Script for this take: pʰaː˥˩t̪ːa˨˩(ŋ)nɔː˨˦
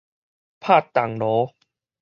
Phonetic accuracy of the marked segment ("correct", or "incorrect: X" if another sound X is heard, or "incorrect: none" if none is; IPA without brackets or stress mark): correct